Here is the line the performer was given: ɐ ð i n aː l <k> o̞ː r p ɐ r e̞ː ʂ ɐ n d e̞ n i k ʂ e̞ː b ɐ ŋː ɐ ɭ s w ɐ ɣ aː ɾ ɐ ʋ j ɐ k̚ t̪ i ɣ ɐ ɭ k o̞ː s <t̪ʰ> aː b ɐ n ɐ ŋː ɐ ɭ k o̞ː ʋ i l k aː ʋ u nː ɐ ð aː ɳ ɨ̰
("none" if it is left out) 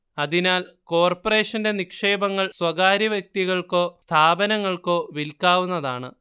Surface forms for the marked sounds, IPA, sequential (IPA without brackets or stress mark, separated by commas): k, t̪ʰ